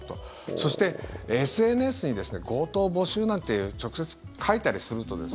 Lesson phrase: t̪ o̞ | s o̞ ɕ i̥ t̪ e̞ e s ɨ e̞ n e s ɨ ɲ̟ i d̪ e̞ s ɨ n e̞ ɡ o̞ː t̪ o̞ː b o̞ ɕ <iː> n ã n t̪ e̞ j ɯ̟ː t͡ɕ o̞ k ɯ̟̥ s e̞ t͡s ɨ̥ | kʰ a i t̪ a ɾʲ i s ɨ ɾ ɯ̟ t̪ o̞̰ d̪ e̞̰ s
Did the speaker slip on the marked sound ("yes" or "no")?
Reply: yes